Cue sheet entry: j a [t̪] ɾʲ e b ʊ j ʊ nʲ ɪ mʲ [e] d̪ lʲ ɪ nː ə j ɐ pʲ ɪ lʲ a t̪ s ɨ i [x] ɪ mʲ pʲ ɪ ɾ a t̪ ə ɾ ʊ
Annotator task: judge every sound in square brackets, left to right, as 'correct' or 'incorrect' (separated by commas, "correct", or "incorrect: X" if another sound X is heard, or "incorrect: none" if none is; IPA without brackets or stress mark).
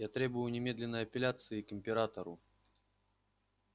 correct, correct, incorrect: k